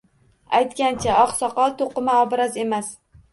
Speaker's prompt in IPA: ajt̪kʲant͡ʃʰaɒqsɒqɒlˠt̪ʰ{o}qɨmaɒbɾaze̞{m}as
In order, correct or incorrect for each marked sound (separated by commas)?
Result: correct, correct